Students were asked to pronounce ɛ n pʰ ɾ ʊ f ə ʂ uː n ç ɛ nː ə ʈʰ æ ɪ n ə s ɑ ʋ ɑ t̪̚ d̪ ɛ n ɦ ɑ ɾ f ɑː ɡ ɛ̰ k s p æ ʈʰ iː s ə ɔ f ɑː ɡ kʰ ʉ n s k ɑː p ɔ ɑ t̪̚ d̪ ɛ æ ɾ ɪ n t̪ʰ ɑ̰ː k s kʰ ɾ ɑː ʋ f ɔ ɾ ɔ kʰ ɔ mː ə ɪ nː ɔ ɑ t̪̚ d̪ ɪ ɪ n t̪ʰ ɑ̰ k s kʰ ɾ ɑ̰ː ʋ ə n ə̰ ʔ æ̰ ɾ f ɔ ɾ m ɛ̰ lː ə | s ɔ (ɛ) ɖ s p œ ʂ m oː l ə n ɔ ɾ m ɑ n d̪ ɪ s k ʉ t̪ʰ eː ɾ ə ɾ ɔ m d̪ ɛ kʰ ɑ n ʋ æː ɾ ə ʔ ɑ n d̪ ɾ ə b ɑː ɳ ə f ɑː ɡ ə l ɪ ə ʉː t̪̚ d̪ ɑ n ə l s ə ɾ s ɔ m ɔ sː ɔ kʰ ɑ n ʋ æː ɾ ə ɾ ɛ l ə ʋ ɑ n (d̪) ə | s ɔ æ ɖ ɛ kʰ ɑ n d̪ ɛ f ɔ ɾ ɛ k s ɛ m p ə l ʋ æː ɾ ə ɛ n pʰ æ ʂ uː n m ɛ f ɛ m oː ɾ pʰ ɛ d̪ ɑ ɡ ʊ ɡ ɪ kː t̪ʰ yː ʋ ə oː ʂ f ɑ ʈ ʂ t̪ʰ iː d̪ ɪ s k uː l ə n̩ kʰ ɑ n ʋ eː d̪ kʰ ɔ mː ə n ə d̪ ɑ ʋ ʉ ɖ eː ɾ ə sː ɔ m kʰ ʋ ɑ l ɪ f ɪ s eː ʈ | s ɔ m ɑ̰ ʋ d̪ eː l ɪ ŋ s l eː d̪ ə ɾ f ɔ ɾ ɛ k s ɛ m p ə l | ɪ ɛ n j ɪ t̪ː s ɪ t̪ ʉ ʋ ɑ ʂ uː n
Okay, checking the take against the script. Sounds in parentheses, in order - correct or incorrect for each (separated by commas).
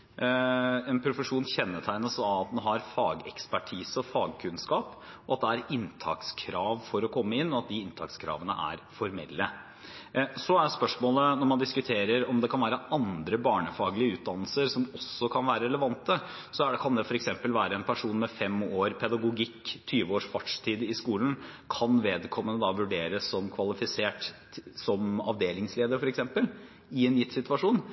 incorrect, incorrect